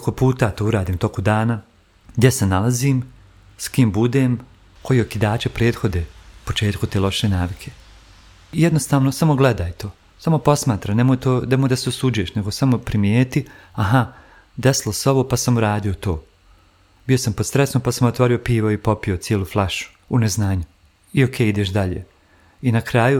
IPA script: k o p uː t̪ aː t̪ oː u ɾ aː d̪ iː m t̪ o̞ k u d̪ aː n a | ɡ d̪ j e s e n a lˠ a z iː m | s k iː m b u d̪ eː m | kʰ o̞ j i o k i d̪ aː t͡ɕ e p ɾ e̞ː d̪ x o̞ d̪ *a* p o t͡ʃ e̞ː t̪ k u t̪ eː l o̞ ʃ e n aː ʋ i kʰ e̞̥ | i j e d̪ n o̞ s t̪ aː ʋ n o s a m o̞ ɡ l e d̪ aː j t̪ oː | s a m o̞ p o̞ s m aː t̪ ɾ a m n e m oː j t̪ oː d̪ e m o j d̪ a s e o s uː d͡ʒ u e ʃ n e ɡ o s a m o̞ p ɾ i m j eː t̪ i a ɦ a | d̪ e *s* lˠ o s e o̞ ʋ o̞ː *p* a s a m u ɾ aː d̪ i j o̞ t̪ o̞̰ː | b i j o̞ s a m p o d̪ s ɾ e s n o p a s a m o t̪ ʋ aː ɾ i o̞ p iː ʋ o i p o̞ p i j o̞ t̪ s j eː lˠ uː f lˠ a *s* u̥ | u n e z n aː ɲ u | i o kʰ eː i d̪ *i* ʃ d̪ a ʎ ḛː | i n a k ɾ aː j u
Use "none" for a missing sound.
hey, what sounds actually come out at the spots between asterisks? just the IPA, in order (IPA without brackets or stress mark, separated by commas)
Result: e, s, p, ʃ, e